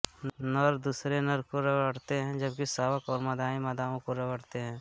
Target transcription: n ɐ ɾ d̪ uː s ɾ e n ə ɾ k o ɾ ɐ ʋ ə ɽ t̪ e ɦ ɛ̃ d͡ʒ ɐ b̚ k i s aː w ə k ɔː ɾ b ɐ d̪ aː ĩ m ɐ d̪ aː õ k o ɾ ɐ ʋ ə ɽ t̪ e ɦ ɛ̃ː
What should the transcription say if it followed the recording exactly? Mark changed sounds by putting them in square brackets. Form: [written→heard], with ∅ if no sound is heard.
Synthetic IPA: n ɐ ɾ d̪ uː s ɾ e n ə ɾ k o ɾ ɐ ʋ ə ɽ t̪ e ɦ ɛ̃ d͡ʒ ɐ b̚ k i s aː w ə k ɔː ɾ [b→m] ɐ d̪ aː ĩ m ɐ d̪ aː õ k o ɾ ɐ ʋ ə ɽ t̪ e ɦ ɛ̃ː